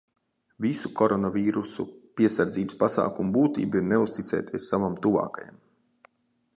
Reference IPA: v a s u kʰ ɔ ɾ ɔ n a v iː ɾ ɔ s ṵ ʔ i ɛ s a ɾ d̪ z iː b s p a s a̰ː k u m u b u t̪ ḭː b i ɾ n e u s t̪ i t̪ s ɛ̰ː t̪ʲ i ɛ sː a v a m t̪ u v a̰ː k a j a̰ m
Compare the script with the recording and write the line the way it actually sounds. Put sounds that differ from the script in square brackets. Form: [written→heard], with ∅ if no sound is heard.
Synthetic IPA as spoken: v [a→i] s u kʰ ɔ ɾ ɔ n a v iː ɾ [ɔ→u] s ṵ [ʔ→p] i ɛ s a ɾ d̪ z iː b s p a s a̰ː k u m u b [u→uː] t̪ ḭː b i ɾ n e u s t̪ i t̪ s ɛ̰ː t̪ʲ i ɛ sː a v a m t̪ u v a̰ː k a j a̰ m